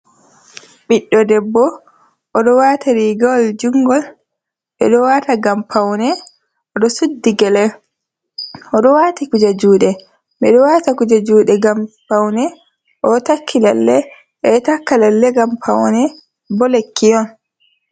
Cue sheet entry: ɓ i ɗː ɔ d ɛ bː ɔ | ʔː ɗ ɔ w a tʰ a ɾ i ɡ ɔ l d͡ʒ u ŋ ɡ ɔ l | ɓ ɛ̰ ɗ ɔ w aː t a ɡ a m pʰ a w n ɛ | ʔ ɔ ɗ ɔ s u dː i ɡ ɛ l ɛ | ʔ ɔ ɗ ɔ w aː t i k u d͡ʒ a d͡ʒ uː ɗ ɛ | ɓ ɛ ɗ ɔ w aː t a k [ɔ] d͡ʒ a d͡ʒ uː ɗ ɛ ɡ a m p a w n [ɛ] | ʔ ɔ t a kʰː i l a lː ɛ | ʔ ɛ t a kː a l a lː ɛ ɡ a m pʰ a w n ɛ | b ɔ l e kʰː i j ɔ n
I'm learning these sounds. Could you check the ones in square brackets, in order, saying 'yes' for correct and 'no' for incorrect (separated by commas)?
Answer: no, yes